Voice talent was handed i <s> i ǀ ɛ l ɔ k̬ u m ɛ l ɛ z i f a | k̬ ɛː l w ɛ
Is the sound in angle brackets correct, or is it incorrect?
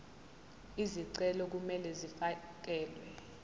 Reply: incorrect